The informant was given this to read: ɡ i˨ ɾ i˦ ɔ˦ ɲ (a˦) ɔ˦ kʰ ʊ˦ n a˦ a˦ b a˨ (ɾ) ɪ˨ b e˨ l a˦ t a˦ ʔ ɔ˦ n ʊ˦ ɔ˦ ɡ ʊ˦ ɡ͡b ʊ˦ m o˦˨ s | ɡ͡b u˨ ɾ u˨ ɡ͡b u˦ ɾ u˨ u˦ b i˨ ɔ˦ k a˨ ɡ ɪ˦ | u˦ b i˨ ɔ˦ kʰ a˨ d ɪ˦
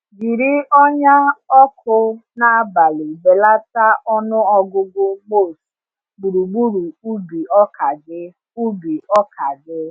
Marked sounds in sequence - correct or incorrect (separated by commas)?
correct, incorrect